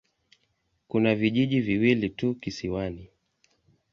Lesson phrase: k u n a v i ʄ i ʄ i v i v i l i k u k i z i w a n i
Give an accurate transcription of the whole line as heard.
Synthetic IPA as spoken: k u n a v i ʄ i ʄ i v i w i l i t u k i s i w a n i